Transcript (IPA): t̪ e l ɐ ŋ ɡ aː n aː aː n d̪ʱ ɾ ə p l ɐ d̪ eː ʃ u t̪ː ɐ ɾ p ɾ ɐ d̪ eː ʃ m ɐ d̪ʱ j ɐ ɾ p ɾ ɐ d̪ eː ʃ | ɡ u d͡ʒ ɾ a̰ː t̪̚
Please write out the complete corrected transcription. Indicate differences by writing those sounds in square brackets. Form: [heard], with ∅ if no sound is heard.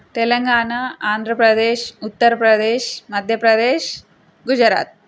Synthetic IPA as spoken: t̪ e l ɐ ŋ ɡ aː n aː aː n d̪ʱ ɾ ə p [ɾ] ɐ d̪ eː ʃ u t̪ː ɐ ɾ p ɾ ɐ d̪ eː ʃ m ɐ d̪ʱ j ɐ [∅] p ɾ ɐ d̪ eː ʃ | ɡ u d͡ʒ ɾ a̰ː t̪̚